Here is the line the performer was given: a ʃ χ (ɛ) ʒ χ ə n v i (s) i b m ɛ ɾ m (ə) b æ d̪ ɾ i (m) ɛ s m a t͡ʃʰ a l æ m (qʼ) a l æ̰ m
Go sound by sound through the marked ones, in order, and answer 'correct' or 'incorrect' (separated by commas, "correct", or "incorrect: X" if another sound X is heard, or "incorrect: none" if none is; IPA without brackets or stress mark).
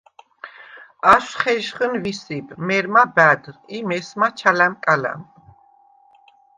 correct, correct, incorrect: a, correct, incorrect: kʼ